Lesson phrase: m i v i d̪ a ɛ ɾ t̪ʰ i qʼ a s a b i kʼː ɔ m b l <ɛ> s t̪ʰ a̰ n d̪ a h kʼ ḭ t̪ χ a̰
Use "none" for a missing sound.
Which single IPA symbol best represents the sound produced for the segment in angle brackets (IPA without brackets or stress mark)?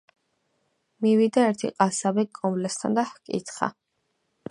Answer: ɛ